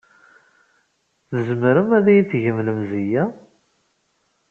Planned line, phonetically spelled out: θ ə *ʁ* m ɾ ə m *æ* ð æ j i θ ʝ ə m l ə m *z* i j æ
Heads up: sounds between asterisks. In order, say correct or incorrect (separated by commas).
incorrect, correct, correct